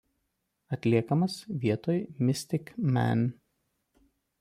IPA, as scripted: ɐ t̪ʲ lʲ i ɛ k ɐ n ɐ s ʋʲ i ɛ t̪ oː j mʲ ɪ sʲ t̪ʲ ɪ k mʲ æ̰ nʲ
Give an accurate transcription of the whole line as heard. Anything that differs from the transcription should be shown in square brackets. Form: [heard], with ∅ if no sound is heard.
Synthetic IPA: ɐ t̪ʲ lʲ i ɛ k ɐ [m] ɐ s ʋʲ i ɛ t̪ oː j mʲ ɪ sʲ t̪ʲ ɪ k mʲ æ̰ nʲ